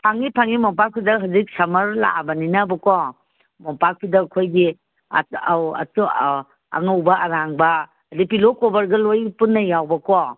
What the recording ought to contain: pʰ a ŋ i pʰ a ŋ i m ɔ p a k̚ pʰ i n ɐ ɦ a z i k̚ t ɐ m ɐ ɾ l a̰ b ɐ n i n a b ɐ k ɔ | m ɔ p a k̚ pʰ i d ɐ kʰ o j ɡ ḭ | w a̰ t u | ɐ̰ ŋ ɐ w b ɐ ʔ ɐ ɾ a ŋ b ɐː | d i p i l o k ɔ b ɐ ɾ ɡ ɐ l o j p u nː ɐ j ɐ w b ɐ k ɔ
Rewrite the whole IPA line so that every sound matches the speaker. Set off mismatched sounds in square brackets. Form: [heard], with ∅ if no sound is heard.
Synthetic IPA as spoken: pʰ a ŋ i pʰ a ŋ i m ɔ p a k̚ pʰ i [d] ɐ ɦ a z i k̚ [s] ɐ m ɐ ɾ l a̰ b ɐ n i n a b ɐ k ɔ | m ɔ p a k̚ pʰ i d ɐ kʰ o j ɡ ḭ | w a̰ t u | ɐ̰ ŋ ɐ w b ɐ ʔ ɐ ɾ a ŋ b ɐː | d i p i l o k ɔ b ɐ ɾ ɡ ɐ l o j p u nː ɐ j [a] w b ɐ k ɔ